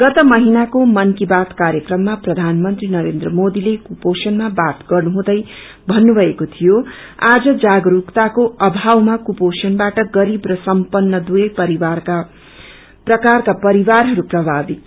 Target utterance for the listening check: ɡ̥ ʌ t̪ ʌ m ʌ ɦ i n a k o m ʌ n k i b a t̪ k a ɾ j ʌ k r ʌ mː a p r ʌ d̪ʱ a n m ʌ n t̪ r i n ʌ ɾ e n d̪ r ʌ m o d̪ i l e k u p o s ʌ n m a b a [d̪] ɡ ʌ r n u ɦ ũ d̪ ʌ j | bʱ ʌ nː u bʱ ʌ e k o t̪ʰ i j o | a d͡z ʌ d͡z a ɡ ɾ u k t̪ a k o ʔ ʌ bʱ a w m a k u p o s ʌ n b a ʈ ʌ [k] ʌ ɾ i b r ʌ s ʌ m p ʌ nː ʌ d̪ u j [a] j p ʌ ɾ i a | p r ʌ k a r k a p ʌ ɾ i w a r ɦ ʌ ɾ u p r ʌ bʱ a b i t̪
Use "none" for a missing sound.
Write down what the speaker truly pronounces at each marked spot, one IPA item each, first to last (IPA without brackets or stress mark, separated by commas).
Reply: t̪, ɡ, ʌ